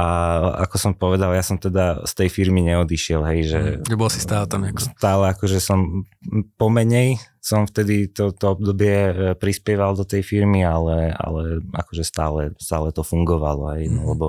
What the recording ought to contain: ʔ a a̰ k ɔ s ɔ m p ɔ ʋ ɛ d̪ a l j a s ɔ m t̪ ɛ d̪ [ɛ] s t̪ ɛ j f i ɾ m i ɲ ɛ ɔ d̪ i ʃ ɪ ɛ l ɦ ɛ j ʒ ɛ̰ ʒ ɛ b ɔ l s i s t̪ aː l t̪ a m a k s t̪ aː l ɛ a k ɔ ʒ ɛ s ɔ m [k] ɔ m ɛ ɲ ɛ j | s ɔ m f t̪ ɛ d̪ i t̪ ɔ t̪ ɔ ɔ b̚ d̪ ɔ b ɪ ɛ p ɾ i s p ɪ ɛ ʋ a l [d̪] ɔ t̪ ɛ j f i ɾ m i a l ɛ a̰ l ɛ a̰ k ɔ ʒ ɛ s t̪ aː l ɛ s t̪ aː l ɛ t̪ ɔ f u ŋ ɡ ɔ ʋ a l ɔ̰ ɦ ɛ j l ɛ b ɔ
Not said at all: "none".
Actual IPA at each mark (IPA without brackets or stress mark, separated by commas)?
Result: a, p, d̪